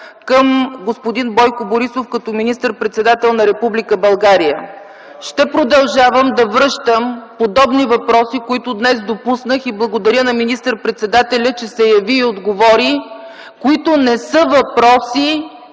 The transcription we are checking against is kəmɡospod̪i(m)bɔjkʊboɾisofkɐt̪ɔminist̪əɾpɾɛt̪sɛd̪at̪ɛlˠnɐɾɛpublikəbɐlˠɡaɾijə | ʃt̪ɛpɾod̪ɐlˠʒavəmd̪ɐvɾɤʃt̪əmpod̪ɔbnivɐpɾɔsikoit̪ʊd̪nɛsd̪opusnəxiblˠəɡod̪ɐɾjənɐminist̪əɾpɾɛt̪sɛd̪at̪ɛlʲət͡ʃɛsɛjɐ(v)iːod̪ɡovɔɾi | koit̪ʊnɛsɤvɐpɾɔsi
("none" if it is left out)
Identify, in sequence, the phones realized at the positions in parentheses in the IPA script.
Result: n, v

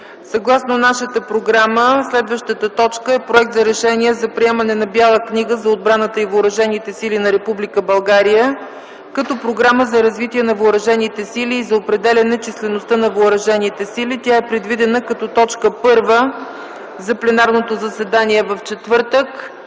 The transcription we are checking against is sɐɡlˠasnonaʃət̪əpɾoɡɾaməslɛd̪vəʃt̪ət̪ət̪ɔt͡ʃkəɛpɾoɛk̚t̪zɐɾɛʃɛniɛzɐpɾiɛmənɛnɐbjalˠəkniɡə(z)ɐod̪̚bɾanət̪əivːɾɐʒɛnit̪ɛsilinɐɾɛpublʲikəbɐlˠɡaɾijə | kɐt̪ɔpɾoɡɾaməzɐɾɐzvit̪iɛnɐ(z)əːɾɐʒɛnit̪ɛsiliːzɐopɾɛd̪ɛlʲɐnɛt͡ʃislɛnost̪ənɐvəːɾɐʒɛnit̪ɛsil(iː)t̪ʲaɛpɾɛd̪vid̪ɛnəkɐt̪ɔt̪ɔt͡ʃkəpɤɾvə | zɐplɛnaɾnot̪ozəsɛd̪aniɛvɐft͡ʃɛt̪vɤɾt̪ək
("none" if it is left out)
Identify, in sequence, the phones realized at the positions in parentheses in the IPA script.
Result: z, v, i

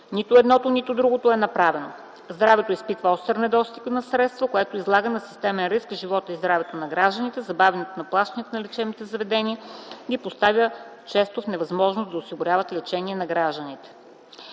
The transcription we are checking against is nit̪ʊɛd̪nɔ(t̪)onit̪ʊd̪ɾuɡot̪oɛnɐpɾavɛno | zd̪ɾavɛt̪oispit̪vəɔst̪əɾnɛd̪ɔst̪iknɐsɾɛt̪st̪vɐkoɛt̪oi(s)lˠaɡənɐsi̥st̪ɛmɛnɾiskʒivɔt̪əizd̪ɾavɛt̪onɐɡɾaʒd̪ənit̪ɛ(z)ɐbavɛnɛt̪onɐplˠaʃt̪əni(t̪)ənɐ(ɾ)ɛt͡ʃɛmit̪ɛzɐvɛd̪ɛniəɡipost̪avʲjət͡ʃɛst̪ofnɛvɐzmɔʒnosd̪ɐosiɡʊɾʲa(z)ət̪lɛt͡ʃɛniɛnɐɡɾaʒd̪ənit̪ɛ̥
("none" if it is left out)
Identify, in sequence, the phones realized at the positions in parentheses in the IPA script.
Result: t̪, z, z, t̪, l, v

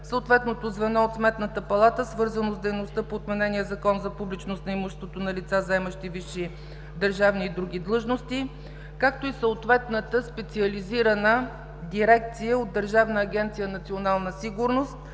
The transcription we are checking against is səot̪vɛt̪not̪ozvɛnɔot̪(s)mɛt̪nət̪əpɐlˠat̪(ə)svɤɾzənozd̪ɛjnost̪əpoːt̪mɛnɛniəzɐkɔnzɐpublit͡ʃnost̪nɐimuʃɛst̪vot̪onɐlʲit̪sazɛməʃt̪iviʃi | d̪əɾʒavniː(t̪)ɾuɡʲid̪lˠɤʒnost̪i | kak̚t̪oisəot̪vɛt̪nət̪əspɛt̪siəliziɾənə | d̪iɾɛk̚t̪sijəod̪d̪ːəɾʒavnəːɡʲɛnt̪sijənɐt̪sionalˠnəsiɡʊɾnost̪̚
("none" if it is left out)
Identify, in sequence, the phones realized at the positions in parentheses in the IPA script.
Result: s, ə, d̪

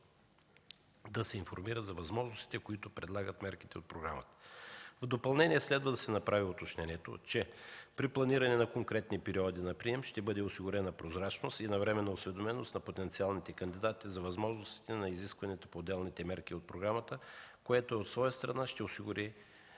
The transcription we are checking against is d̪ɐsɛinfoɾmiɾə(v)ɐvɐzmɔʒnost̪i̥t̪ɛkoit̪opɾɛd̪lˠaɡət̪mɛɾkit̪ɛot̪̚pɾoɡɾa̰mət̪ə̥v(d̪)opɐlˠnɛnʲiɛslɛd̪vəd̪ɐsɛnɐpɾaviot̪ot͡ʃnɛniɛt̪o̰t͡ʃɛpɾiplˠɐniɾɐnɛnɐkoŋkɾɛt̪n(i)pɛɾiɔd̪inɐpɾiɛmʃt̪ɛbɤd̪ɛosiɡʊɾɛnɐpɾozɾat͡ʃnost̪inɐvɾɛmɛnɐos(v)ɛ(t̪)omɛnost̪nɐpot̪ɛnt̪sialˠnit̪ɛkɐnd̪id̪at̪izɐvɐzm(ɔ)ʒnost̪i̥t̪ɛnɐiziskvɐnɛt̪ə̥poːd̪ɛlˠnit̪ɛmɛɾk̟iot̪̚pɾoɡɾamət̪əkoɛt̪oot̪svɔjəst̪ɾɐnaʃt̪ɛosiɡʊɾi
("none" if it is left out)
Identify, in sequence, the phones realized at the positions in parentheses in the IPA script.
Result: z, d̪, i, v, d̪, ɔ

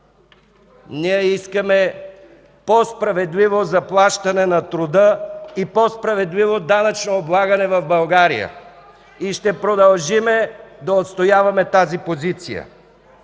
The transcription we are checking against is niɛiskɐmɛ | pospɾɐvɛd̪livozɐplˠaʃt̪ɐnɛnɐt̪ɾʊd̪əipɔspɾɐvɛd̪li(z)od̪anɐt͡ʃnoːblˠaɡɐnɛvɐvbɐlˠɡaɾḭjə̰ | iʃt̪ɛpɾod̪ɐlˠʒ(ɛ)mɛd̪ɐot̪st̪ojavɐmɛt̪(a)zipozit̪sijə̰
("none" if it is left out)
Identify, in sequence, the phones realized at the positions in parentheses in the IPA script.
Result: v, i, a

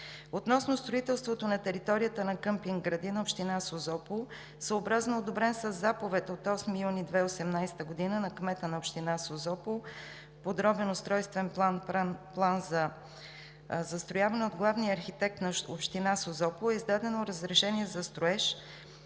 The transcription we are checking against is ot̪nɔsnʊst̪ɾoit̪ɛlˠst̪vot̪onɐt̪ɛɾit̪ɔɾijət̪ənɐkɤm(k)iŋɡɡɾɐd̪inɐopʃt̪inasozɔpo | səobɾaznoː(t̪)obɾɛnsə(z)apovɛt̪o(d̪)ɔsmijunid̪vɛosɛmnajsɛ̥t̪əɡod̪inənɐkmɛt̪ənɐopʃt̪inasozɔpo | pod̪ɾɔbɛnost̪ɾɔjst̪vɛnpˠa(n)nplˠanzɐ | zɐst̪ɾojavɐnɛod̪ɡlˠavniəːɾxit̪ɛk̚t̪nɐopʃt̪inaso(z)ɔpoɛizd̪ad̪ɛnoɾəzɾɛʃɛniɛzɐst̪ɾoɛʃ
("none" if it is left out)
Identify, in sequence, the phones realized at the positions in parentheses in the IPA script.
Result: p, d̪, zː, t̪, n, z

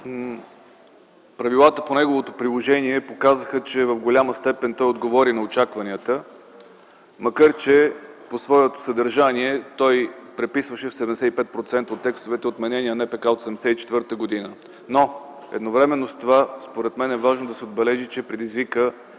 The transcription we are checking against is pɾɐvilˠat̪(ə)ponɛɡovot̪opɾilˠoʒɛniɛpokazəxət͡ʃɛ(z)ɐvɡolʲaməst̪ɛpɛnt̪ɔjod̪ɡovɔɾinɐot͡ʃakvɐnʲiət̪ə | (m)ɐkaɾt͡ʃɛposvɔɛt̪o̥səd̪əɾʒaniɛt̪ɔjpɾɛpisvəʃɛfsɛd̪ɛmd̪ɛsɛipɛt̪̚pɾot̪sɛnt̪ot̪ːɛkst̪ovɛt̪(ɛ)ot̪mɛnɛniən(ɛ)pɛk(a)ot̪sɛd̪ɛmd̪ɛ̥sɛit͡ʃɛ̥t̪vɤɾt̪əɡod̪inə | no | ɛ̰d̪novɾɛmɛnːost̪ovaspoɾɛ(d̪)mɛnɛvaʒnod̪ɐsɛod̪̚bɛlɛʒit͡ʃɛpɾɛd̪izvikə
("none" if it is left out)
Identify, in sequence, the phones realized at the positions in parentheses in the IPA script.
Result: ə, v, m, ɛ, ɛ, a, t̪

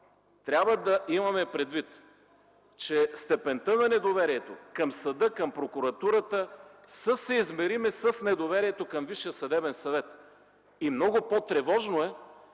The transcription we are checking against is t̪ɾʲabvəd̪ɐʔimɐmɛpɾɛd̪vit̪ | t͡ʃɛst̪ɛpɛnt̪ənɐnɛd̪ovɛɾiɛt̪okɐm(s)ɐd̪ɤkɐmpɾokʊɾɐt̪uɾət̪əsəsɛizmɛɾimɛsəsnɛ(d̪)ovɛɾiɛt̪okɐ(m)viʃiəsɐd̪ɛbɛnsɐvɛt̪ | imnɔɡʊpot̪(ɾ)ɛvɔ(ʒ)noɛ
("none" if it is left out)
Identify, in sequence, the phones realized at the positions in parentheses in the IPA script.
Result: s, d̪, m, ɾ, ʒ

